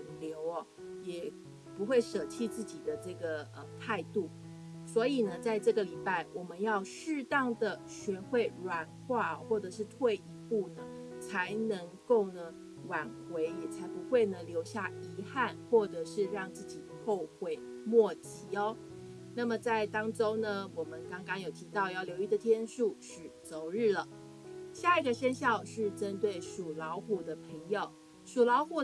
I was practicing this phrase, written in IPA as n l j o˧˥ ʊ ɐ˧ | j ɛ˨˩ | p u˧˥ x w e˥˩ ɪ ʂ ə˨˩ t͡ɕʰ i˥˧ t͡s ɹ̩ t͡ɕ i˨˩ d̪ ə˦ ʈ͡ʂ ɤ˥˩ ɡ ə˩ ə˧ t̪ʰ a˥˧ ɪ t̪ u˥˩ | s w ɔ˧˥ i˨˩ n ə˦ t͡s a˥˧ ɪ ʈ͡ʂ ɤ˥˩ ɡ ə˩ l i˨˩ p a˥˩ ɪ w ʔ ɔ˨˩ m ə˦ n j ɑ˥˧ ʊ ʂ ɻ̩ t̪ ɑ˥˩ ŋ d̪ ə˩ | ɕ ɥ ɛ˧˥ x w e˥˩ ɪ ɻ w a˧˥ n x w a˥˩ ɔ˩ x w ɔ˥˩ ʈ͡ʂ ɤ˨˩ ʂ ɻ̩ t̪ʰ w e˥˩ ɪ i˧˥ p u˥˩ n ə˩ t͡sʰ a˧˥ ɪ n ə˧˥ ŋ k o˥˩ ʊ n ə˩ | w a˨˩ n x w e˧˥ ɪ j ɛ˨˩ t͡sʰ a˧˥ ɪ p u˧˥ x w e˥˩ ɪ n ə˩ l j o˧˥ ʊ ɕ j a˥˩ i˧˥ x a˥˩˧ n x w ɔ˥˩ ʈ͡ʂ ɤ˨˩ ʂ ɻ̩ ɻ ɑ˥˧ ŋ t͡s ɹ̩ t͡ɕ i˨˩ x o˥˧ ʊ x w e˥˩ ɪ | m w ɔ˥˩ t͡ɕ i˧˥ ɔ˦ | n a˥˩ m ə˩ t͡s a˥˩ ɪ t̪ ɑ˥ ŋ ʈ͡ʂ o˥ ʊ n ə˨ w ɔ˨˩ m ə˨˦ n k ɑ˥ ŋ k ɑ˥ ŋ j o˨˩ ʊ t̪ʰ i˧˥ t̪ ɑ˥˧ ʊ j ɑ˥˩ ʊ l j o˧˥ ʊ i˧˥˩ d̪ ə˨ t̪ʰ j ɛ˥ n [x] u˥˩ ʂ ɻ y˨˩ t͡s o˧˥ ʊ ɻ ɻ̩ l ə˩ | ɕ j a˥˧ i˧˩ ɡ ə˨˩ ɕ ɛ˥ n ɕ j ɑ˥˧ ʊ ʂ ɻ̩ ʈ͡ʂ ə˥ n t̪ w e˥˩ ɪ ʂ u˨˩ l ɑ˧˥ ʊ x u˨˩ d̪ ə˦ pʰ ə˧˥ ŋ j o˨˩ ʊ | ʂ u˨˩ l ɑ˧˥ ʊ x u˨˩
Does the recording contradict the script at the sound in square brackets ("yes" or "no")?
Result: yes